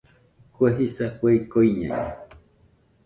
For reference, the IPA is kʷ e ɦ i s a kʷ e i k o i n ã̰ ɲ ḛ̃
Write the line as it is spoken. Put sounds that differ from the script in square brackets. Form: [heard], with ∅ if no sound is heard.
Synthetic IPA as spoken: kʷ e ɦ i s a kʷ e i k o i [ɲ] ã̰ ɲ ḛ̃